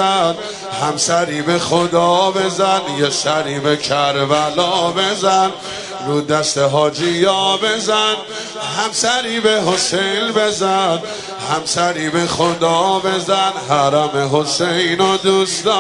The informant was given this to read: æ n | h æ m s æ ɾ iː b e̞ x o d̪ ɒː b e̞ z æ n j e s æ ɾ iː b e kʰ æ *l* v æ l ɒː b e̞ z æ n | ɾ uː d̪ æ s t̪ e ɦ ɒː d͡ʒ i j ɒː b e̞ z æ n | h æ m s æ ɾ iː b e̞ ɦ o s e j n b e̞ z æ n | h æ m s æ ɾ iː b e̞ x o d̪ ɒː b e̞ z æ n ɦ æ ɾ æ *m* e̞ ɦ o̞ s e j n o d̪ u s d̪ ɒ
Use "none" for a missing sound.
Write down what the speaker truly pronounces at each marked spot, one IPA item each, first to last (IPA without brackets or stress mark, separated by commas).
ɾ, m